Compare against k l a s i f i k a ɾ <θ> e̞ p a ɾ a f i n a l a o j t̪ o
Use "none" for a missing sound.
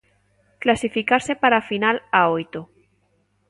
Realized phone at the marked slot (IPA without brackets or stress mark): s